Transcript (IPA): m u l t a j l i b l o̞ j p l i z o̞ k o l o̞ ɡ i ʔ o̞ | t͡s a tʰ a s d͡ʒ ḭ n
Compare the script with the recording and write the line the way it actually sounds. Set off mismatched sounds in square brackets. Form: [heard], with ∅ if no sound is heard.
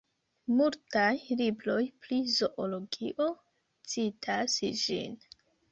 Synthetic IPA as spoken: m u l t a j l i b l o̞ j p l i z o̞ [ʔ] o l o̞ ɡ i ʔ o̞ | t͡s [i] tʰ a s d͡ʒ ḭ n

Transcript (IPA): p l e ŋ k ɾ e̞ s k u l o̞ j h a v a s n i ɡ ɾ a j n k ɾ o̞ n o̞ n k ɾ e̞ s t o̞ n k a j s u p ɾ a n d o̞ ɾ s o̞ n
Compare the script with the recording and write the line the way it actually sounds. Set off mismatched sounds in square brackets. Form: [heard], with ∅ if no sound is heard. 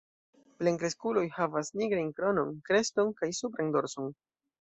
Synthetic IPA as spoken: p l e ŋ k ɾ e̞ s k u l o̞ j h a v a s n i ɡ ɾ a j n k ɾ o̞ n o̞ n k ɾ e̞ s t o̞ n k a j s u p ɾ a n d o̞ ɾ s o̞ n

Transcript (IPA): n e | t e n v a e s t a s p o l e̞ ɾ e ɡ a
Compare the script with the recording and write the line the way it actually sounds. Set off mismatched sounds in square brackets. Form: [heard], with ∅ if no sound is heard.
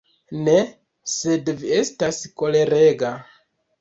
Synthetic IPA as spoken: n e | [s] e [d] v [i] e s t a s [k] o l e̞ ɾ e ɡ a

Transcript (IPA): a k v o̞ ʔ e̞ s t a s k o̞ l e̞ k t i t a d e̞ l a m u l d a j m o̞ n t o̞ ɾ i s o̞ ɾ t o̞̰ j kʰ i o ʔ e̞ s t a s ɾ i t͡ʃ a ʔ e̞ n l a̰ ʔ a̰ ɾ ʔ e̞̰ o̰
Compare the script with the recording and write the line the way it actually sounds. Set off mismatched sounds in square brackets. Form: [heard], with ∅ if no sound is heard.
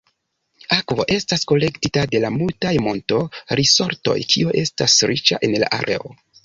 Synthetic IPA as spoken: a k v o̞ ʔ e̞ s t a s k o̞ l e̞ k t i t a d e̞ l a m u l [t] a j m o̞ n t o̞ ɾ i s o̞ ɾ t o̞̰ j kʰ i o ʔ e̞ s t a s ɾ i t͡ʃ a ʔ e̞ n l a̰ ʔ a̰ ɾ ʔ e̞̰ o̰

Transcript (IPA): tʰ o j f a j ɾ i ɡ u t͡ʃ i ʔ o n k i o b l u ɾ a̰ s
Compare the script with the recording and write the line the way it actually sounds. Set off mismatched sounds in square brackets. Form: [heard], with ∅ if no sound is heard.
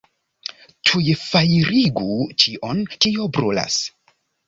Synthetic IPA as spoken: tʰ [u] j f a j ɾ i ɡ u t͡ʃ i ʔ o n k i o b [ɾ] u [l] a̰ s

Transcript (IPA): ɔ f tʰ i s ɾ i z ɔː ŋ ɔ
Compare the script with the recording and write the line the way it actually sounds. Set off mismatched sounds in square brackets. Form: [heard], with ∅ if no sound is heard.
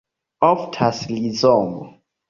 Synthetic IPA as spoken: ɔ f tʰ [a] s [l] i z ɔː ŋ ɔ

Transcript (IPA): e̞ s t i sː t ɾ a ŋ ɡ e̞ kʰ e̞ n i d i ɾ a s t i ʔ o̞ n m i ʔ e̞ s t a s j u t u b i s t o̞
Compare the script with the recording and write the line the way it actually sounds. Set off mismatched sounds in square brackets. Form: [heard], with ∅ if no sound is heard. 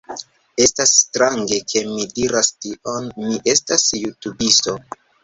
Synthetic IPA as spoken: e̞ s t [a] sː t ɾ a ŋ ɡ e̞ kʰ e̞ [m] i d i ɾ a s t i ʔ o̞ n m i ʔ e̞ s t a s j u t u b i s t o̞

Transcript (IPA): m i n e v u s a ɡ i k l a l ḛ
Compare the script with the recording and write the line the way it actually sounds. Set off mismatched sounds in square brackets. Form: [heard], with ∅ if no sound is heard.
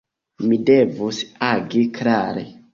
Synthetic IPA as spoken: m i [d] e v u s a ɡ i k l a [ɾ] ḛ

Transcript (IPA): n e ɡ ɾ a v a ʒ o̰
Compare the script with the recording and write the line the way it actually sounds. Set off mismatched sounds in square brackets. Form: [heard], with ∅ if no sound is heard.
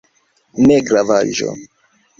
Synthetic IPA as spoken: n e ɡ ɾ a v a ʒ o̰

